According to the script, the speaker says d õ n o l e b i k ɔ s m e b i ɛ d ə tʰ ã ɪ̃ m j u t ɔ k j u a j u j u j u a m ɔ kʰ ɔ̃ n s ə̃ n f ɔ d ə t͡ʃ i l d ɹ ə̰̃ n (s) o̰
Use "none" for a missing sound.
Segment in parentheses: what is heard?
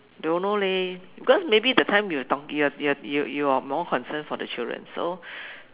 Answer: s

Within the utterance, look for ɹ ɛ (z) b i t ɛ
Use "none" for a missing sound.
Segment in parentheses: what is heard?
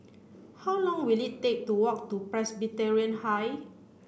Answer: s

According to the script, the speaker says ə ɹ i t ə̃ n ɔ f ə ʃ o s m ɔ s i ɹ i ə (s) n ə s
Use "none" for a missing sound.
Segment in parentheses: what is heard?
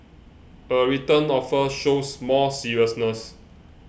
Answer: s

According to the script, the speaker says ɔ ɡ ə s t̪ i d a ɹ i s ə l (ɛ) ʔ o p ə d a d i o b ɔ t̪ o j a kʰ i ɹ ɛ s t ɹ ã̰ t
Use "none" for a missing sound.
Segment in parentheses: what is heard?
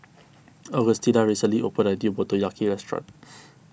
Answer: i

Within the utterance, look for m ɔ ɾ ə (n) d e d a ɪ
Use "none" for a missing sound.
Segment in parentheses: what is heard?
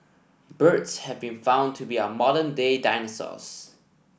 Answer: n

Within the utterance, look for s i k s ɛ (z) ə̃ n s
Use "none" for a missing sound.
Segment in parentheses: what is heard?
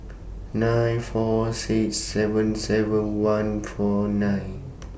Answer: v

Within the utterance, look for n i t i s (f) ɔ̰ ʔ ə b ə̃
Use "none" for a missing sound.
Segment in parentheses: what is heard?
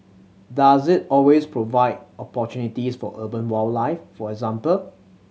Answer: f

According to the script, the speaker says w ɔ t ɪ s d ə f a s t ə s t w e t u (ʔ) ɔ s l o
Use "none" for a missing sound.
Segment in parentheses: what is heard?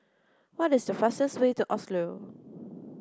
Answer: ʔ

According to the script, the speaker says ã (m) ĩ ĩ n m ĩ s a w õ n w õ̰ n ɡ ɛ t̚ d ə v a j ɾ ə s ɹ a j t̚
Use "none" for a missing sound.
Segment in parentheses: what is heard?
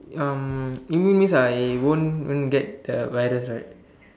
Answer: m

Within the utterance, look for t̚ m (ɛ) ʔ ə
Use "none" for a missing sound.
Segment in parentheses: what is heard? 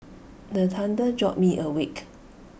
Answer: i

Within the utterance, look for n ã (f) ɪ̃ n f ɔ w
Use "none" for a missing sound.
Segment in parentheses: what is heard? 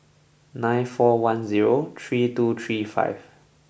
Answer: none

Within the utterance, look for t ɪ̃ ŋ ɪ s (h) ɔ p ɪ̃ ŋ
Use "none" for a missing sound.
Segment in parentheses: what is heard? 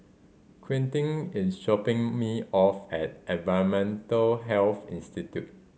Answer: ʃ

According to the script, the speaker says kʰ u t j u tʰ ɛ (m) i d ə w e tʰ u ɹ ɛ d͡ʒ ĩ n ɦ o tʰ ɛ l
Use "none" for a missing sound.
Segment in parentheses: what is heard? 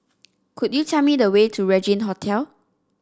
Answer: m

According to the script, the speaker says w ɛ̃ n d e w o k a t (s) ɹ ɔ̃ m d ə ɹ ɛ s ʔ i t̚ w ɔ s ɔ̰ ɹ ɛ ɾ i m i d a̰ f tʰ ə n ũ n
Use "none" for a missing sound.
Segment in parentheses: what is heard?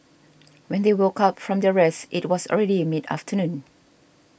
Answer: f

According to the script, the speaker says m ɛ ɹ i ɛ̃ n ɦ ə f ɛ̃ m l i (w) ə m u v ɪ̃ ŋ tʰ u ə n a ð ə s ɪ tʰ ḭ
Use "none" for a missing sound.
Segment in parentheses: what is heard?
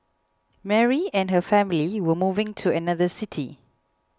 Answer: w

